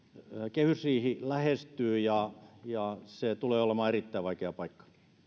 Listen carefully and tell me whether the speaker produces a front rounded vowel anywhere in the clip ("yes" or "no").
yes